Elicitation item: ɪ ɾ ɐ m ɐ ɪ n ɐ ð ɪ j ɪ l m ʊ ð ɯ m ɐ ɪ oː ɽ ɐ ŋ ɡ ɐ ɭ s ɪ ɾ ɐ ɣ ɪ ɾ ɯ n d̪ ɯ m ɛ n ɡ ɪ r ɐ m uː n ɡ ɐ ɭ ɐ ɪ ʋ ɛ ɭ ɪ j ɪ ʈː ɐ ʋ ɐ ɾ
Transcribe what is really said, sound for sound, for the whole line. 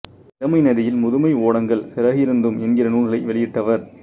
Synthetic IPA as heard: ɪ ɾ ɐ m ɐ ɪ n ɐ ð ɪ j ɪ l m ʊ ð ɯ m ɐ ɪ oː ɽ ɐ ŋ ɡ ɐ ɭ s ɪ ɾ ɐ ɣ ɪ ɾ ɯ n d̪ ɯ m ɛ n ɡ ɪ r ɐ n uː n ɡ ɐ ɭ ɐ ɪ ʋ ɛ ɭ ɪ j ɪ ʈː ɐ ʋ ɐ ɾ